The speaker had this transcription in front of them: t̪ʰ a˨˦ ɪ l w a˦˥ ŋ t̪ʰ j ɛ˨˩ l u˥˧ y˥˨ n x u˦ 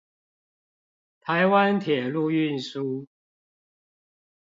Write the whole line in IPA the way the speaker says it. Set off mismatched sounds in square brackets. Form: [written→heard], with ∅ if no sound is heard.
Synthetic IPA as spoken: t̪ʰ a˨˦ ɪ [l→∅] w a˦˥ [ŋ→n] t̪ʰ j ɛ˨˩ l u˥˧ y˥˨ n [x→s] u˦